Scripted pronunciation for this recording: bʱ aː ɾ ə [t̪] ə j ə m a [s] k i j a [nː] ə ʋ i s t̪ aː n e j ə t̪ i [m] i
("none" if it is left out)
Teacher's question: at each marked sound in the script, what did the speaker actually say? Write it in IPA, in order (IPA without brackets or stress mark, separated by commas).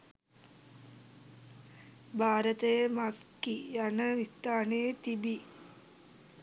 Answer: t̪, s, n, b